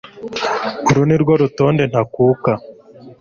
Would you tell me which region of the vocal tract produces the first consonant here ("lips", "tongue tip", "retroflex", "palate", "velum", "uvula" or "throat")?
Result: tongue tip